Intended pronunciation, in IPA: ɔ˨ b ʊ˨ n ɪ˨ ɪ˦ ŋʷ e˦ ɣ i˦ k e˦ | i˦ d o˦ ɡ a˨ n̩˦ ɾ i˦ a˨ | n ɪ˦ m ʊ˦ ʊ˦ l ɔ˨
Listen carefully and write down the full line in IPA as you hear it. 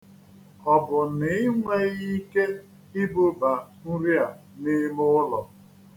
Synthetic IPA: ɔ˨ b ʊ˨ n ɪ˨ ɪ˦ ŋʷ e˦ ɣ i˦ k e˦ | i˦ b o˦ b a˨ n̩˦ ɾ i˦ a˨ | n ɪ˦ m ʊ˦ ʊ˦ l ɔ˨